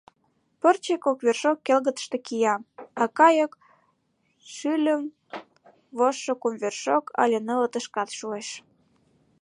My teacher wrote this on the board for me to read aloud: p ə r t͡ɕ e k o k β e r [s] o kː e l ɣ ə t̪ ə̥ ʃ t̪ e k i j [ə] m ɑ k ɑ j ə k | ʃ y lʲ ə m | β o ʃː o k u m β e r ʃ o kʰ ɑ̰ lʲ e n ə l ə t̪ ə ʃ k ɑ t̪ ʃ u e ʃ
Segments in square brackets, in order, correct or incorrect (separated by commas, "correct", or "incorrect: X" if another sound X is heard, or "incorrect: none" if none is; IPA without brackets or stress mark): incorrect: ʃ, incorrect: ɑ